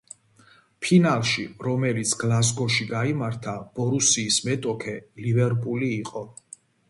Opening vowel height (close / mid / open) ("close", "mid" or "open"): close